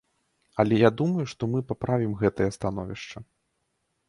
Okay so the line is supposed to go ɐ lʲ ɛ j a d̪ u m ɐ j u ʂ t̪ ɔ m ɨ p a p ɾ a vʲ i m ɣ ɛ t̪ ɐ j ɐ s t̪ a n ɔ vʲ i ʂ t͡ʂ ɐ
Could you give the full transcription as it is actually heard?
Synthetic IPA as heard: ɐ lʲ ɛ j a d̪ u m ɐ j u ʂ t̪ ɔ m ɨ p a p ɾ a vʲ i m ɣ ɛ t̪ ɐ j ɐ s t̪ a n ɔ vʲ i ʂ t͡ʂ ɐ